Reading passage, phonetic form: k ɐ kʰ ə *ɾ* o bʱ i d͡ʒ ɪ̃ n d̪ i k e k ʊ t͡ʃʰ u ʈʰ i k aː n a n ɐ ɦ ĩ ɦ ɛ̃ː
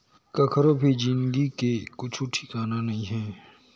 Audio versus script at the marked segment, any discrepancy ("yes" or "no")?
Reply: no